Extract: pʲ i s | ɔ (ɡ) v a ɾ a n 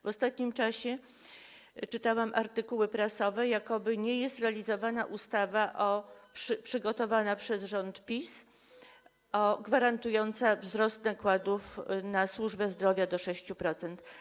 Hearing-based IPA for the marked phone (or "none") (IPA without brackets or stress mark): ɡ